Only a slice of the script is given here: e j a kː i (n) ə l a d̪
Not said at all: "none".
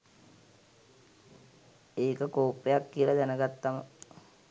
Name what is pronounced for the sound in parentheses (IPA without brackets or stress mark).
none